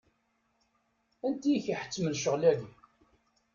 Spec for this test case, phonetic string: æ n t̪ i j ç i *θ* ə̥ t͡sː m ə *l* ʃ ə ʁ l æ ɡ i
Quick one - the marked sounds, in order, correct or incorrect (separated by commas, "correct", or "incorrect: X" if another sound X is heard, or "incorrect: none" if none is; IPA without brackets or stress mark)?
incorrect: ħ, correct